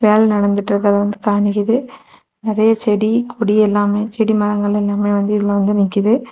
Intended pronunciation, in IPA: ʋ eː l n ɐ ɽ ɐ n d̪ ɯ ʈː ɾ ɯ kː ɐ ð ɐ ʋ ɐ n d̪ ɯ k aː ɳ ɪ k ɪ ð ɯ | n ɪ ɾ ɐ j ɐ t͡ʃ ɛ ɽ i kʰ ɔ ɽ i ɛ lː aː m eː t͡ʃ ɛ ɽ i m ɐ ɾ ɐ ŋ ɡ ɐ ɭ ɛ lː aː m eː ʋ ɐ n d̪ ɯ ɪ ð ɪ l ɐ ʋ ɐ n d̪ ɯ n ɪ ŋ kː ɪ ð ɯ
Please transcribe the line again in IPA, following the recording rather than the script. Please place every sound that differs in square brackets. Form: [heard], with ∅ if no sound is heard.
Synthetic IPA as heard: ʋ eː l n ɐ ɽ ɐ n d̪ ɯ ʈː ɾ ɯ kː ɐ ð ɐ ʋ ɐ n d̪ ɯ k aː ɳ ɪ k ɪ ð ɯ | n ɪ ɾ ɐ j ɐ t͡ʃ ɛ ɽ i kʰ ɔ ɽ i ɛ lː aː m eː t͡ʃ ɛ ɽ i m ɐ ɾ ɐ ŋ ɡ ɐ ɭ ɛ lː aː m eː ʋ ɐ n d̪ ɯ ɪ ð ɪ l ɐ ʋ ɐ n d̪ ɯ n ɪ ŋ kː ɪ ð ɯ